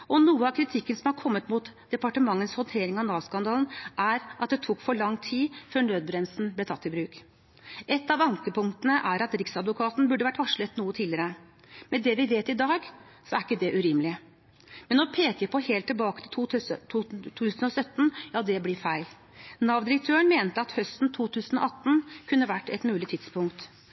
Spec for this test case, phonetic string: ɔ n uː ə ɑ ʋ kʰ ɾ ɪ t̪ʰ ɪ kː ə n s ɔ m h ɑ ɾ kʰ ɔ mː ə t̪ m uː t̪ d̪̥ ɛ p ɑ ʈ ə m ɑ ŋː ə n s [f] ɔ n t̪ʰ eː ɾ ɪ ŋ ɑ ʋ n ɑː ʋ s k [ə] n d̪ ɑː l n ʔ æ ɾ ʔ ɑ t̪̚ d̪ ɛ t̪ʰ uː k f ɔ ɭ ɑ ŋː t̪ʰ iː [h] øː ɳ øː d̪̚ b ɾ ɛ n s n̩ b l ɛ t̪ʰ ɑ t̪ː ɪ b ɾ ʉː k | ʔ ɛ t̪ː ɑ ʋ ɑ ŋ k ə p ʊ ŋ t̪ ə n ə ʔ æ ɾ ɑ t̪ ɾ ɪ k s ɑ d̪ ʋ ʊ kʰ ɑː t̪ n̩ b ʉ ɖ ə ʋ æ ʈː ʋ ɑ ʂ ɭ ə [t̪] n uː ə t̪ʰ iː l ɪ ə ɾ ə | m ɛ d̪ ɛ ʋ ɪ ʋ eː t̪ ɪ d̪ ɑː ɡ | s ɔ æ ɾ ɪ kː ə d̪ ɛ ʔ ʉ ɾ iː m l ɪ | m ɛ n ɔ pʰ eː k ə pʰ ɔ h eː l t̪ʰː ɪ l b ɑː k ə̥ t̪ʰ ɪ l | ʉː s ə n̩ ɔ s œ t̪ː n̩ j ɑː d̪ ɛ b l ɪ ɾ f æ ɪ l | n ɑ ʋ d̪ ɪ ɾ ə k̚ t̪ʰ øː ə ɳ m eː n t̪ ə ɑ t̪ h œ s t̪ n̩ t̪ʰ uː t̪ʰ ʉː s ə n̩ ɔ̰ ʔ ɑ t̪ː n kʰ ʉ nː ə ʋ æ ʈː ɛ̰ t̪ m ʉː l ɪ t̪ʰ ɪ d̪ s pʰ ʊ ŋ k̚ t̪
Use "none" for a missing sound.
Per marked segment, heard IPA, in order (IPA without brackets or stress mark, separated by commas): h, ɑ, f, t̪